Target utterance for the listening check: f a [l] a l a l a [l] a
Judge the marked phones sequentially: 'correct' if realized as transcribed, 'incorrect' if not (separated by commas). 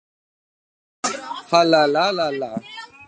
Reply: correct, correct